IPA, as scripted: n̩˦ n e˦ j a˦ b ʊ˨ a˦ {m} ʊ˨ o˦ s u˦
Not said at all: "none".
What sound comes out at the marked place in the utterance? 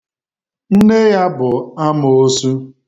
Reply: m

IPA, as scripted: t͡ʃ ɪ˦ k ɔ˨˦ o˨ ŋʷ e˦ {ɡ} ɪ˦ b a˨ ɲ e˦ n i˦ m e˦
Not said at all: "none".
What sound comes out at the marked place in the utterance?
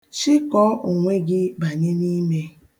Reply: ɡ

